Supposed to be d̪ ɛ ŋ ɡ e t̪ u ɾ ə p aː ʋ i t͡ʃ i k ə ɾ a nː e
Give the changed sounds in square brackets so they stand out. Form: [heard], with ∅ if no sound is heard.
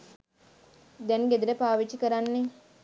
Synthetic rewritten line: d̪ ɛ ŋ ɡ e [d̪] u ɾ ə p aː ʋ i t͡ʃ i k ə ɾ a nː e